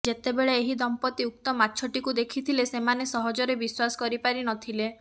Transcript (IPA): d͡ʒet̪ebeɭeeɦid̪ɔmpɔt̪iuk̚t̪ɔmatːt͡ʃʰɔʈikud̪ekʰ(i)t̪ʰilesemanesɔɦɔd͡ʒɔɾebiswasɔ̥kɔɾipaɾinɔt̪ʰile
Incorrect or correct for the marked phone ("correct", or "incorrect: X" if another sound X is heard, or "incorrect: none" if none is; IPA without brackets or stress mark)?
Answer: correct